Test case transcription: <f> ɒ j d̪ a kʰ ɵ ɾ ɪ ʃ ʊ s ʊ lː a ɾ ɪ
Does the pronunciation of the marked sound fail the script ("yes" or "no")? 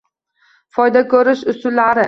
no